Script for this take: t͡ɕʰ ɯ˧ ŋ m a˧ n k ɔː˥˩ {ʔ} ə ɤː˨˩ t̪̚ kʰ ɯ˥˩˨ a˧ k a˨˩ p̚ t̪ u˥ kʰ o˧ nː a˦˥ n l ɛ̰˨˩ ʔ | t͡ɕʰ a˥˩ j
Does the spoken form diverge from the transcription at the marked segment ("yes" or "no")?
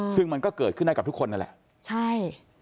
yes